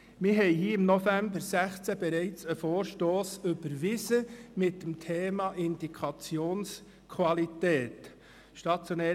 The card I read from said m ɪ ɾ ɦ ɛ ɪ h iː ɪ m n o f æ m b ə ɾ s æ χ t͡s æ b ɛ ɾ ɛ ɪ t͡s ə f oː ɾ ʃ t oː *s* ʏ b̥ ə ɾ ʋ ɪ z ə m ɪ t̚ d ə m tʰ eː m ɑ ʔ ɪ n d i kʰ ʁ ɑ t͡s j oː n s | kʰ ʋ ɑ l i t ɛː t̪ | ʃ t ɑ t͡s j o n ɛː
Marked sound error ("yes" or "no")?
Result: no